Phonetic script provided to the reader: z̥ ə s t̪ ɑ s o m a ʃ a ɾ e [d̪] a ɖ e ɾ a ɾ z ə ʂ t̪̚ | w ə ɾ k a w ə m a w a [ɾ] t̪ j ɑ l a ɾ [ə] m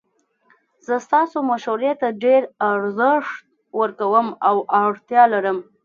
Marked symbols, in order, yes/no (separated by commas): no, no, yes